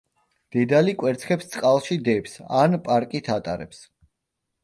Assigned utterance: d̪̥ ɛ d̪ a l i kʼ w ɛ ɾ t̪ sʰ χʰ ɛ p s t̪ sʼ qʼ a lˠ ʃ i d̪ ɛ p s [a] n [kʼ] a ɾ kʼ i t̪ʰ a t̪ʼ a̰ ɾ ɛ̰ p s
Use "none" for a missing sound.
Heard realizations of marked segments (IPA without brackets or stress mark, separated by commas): a, pʼ